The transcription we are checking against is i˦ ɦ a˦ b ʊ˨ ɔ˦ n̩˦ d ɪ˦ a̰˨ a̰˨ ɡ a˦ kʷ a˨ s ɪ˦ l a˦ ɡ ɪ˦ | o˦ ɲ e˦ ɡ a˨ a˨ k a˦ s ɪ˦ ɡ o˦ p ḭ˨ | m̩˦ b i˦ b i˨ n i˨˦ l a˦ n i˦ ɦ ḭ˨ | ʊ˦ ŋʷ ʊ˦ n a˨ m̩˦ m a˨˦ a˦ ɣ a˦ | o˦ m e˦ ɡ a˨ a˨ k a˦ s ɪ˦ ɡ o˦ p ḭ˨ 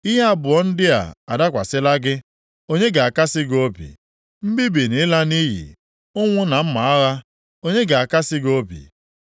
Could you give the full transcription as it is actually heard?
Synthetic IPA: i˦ ɦ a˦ b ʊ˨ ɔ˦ n̩˦ d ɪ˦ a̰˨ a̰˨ d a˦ kʷ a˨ s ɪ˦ l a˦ ɡ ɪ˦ | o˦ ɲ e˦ ɡ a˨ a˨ k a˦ s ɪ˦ ɡ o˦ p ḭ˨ | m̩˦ b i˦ b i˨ n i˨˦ l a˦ n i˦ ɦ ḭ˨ | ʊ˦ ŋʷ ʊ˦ n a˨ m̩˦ m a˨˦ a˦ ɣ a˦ | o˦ ɲ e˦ ɡ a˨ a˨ k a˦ s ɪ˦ ɡ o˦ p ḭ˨